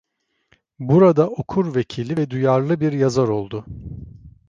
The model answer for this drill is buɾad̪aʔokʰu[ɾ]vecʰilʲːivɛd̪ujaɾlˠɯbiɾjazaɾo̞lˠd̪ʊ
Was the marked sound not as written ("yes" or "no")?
no